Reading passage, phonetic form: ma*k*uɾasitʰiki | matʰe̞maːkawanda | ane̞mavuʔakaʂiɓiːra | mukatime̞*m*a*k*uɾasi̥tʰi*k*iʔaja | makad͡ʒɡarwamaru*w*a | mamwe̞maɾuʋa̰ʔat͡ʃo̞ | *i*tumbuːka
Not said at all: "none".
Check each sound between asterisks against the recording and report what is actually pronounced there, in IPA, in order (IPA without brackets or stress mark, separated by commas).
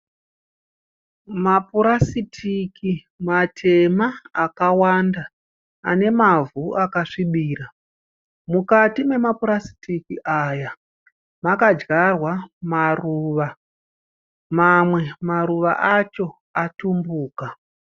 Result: p, m, p, k, ʋ, a